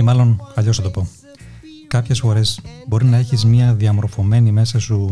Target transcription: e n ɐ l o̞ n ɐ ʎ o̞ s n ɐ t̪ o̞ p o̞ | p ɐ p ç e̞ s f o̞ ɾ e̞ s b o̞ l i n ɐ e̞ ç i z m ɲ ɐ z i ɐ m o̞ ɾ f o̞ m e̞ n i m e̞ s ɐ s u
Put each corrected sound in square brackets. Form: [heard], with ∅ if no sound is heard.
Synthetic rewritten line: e [m] ɐ l o̞ n ɐ ʎ o̞ s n ɐ t̪ o̞ p o̞ | [k] ɐ p ç e̞ s f o̞ ɾ e̞ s b o̞ [ɾ] i n ɐ e̞ ç i z m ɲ ɐ [ð] i ɐ m o̞ ɾ f o̞ m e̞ n i m e̞ s ɐ s u